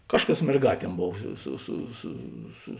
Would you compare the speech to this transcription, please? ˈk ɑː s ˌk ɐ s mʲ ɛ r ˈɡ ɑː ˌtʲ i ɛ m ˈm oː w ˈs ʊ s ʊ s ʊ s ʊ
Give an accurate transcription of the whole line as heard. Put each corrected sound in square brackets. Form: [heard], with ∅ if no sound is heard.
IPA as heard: ˈk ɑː [ʃ] ˌk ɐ s mʲ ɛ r ˈɡ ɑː ˌtʲ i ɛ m [ˈb] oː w ˈs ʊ s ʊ s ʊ s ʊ

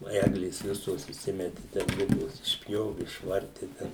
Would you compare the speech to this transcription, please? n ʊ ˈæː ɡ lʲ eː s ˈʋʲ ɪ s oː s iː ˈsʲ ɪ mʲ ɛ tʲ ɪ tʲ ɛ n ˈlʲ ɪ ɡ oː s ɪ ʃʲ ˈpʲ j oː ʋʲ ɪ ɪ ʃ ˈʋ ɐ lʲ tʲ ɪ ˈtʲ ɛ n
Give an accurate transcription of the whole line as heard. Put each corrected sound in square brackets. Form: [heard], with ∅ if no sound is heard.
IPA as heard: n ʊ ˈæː ɡ lʲ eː s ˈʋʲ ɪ s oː s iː ˈsʲ ɪ mʲ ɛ tʲ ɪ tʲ ɛ n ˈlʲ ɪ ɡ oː s ɪ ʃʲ ˈpʲ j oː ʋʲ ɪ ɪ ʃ ˈʋ ɐ [rʲ] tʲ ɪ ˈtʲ ɛ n

